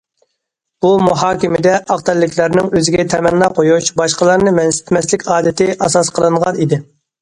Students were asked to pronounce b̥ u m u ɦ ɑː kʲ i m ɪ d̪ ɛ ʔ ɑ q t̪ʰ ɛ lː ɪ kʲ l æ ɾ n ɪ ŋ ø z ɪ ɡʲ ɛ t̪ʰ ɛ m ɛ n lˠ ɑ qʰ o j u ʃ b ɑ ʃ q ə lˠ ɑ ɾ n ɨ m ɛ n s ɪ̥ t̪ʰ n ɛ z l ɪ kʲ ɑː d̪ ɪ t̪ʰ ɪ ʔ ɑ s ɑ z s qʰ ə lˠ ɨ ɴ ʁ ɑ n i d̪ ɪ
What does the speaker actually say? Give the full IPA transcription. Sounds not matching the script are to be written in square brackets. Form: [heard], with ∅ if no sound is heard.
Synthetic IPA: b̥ u m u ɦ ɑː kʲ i m ɪ d̪ ɛ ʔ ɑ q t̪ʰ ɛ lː ɪ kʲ l æ ɾ n ɪ ŋ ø z ɪ ɡʲ ɛ t̪ʰ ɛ m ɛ n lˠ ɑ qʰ o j u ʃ b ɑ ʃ q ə lˠ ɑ ɾ n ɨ m ɛ n s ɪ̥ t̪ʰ [m] ɛ [s] l ɪ kʲ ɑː d̪ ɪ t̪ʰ ɪ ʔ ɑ s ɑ [∅] s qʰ ə lˠ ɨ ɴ ʁ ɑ n i d̪ ɪ